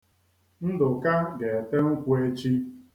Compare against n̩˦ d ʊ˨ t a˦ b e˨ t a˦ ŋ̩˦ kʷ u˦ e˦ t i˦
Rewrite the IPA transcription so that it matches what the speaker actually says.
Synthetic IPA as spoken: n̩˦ d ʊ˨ k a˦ ɡ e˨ t e˦ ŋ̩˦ kʷ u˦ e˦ t͡ʃ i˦